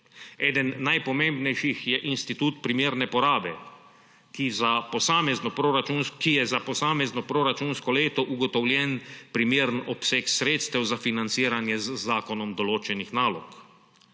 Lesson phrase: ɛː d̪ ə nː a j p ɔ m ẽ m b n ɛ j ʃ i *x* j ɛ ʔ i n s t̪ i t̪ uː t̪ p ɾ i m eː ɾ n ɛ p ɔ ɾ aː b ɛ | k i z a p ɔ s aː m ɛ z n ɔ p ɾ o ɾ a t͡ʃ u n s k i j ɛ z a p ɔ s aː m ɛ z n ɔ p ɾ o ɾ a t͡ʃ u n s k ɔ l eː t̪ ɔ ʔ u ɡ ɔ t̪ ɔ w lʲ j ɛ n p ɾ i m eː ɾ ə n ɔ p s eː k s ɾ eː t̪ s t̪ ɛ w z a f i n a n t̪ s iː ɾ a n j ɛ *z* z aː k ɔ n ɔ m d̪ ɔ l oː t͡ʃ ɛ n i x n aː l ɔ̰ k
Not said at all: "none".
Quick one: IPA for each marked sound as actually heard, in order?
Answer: x, z

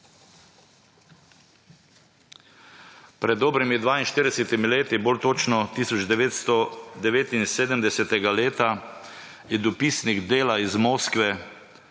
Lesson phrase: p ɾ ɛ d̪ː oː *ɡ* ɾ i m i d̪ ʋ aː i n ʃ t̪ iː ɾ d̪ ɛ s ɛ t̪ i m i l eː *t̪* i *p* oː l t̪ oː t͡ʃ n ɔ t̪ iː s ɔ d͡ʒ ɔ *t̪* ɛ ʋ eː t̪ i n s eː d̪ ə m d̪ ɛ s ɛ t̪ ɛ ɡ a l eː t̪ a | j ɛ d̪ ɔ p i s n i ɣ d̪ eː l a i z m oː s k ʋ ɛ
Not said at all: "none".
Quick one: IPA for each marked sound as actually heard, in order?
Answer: b, t̪, b, d̪

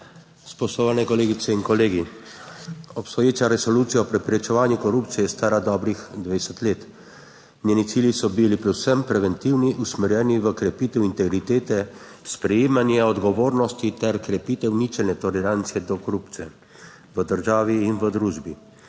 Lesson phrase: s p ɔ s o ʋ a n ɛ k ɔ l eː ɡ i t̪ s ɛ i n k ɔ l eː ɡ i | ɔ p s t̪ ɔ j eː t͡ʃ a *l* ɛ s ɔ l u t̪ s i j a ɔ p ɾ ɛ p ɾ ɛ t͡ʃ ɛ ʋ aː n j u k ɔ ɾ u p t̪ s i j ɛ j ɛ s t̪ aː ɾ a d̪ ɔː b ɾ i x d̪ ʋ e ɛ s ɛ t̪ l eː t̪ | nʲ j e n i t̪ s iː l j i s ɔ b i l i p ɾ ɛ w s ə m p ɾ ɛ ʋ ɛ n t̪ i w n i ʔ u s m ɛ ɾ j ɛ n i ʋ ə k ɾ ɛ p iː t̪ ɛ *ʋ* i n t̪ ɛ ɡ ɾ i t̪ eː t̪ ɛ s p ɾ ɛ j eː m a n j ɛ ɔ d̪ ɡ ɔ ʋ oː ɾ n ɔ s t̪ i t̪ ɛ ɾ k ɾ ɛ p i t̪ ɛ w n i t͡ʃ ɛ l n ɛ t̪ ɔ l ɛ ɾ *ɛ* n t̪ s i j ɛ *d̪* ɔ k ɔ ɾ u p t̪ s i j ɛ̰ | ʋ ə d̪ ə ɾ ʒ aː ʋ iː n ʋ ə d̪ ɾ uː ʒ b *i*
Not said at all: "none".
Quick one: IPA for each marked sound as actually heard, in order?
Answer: ɾ, w, a, d̪, i

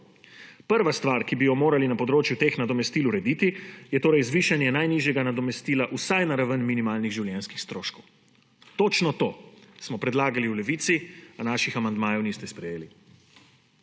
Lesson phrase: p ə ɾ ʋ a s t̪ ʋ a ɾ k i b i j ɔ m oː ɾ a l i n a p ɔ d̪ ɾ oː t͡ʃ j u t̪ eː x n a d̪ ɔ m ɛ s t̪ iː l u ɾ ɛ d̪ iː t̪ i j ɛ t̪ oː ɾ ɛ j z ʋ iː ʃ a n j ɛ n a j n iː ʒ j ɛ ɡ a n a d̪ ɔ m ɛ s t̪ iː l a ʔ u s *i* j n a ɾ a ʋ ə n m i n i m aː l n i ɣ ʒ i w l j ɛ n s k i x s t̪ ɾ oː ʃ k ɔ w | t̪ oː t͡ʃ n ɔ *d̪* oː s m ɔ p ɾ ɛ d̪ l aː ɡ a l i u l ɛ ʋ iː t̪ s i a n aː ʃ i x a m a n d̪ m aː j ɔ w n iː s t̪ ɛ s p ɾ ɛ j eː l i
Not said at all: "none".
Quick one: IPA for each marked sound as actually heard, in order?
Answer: a, t̪

